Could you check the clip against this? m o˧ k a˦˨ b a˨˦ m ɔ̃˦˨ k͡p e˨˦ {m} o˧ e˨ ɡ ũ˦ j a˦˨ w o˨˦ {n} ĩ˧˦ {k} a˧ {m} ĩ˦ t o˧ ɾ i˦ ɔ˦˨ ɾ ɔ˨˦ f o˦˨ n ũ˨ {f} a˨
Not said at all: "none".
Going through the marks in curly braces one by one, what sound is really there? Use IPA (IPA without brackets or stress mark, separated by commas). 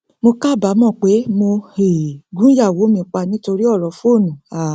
m, m, k͡p, n, none